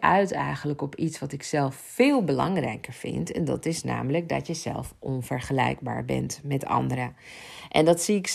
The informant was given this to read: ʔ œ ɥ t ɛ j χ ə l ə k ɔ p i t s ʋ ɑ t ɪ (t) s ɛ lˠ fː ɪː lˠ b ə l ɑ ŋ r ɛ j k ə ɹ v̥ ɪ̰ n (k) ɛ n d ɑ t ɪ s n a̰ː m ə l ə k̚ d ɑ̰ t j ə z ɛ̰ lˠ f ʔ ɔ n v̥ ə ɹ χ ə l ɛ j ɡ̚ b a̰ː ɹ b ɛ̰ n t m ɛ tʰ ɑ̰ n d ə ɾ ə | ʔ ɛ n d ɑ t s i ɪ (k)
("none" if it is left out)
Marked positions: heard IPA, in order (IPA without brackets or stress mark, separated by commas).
k, t, k